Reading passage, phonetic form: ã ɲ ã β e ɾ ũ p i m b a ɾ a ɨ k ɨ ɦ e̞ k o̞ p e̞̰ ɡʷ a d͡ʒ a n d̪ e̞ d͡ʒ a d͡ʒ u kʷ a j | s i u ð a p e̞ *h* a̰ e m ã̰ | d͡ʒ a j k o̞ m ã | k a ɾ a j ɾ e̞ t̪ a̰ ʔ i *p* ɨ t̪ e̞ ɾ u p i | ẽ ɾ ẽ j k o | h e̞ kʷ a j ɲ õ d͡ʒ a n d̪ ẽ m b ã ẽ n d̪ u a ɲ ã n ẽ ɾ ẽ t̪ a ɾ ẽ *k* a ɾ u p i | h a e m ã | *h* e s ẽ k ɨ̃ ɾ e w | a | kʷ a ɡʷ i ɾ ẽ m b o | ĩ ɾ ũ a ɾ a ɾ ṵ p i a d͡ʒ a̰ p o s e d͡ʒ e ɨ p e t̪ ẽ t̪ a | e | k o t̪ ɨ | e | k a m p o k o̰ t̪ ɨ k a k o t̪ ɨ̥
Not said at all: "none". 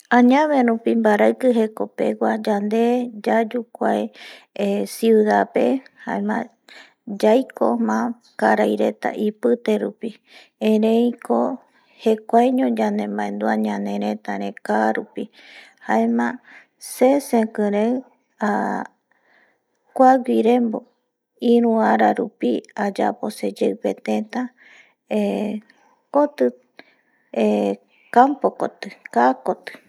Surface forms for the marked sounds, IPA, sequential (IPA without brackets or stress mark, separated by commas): h, p, k, s